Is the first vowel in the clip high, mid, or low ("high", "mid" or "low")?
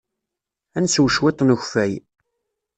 low